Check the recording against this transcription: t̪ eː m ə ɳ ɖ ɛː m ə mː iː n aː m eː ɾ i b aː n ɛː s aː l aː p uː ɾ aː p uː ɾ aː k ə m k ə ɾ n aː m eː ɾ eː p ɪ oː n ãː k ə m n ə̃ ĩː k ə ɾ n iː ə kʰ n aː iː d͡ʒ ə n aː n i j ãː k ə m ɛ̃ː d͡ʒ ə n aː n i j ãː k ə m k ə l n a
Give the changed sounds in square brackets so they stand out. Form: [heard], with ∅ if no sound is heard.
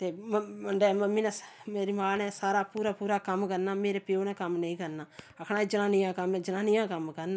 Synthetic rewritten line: t̪ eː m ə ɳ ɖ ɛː m ə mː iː n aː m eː ɾ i [m] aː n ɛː s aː [ɾ] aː p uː ɾ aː p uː ɾ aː k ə m k ə ɾ n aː m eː ɾ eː p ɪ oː n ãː k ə m n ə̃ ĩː k ə ɾ n [aː] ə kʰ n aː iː d͡ʒ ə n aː n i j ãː k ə m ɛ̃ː d͡ʒ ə n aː n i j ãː k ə m k ə [ɾ] n a